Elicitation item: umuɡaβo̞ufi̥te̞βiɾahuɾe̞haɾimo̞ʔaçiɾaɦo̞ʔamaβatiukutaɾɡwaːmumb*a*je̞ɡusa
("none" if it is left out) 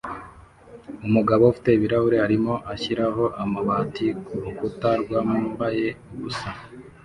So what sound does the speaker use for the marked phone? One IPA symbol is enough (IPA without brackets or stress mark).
a